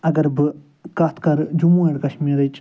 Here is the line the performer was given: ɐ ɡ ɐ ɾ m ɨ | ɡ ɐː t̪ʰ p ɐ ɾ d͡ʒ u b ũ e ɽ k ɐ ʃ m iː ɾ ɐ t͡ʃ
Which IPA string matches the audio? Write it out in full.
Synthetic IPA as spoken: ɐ ɡ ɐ ɾ b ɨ | k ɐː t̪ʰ k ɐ ɾ d͡ʒ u m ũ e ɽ k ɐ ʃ m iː ɾ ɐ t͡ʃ